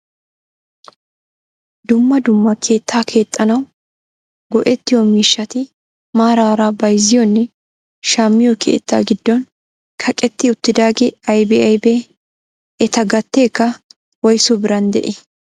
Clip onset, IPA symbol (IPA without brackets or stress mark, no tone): d̪